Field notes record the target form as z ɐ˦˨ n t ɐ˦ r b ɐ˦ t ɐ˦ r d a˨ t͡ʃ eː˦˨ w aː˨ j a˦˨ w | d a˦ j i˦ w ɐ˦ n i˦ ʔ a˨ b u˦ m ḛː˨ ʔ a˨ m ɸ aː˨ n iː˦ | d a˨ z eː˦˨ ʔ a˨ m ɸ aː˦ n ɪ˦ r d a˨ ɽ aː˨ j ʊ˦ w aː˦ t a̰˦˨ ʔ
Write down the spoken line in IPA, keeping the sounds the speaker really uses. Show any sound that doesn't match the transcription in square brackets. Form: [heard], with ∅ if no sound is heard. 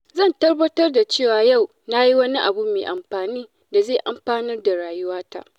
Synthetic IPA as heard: z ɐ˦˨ n t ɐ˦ r b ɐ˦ t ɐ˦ r d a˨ t͡ʃ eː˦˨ w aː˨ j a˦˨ w | [n] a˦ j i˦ w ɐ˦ n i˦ ʔ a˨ b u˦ m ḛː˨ ʔ a˨ m ɸ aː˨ n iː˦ | d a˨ z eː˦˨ ʔ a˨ m ɸ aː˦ n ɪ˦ r d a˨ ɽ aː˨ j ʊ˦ w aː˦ t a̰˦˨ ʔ